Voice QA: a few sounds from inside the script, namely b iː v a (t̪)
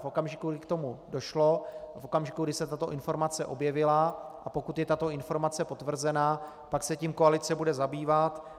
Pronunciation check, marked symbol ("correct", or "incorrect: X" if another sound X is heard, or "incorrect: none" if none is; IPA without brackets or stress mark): correct